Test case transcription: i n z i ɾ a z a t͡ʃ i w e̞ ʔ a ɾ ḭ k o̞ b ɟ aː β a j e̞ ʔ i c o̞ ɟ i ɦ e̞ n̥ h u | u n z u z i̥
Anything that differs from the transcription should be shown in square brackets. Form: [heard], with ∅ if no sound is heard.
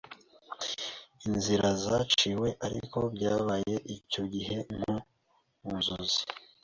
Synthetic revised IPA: i n z i ɾ a z a t͡ʃ i w e̞ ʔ a ɾ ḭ k o̞ b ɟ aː β a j e̞ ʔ i c o̞ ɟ i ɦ e̞ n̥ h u | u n z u z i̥